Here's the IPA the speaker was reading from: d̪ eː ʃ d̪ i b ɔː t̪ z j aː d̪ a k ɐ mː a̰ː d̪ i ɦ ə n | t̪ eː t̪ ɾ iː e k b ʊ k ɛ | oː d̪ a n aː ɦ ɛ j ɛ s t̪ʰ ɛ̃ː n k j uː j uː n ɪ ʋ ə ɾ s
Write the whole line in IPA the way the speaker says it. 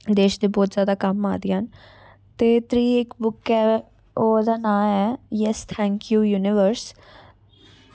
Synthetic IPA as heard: d̪ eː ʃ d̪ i b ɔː t̪ z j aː d̪ a k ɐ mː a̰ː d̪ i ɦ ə n | t̪ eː t̪ ɾ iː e k b ʊ k ɛ | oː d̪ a n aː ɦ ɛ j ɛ s t̪ʰ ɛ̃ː ŋ k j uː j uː n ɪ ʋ ə ɾ s